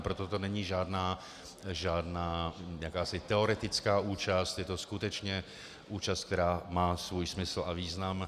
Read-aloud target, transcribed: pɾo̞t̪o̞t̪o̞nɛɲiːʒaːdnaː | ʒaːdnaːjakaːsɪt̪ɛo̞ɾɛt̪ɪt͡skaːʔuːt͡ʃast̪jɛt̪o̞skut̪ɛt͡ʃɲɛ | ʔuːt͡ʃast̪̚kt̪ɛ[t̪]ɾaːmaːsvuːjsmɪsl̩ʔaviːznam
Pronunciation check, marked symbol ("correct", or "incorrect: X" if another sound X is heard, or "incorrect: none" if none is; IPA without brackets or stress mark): incorrect: none